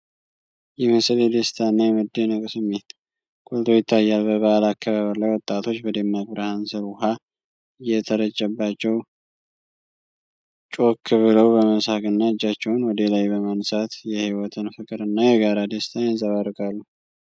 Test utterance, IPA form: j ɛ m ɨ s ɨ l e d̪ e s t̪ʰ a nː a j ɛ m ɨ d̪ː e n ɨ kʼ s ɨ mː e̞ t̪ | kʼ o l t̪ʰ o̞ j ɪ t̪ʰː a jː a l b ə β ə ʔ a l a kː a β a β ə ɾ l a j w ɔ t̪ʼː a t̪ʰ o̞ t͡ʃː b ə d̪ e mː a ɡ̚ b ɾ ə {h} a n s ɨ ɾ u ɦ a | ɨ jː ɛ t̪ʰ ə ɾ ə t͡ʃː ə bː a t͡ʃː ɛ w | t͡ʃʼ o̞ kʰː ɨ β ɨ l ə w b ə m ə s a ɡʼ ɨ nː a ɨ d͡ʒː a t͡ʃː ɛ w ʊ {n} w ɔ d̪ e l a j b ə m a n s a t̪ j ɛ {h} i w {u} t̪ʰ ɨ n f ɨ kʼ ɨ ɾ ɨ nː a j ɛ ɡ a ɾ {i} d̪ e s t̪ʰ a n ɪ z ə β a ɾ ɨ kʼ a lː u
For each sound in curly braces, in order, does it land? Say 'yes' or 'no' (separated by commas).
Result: yes, yes, yes, no, no